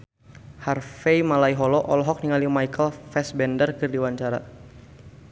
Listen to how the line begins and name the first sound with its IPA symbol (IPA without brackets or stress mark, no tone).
h